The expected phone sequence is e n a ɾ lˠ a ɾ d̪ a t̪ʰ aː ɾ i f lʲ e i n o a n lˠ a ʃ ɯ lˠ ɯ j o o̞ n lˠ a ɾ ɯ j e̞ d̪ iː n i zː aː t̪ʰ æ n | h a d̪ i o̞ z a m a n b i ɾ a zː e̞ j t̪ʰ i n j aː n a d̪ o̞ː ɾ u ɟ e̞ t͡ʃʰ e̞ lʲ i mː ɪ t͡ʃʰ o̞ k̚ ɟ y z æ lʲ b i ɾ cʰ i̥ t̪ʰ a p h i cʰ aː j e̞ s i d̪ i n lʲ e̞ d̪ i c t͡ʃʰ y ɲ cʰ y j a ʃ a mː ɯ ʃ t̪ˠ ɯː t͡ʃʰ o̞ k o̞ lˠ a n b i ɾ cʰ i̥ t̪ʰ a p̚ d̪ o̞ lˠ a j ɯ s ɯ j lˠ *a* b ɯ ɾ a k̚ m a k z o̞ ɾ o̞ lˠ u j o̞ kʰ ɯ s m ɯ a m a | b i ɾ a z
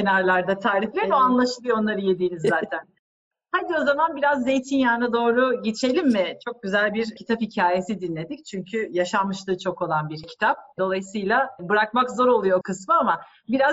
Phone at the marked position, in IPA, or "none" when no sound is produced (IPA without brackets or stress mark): a